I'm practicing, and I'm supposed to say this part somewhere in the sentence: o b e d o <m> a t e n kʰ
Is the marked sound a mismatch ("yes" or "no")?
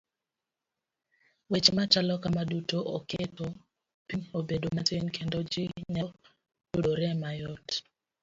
no